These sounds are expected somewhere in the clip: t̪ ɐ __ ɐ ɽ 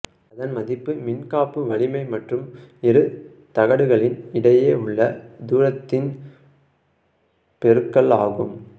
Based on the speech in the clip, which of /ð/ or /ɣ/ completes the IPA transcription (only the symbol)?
ɣ